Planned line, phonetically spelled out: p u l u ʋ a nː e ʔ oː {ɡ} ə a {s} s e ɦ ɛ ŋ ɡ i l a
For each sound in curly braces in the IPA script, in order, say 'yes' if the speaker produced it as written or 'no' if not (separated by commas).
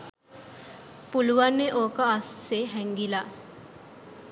no, yes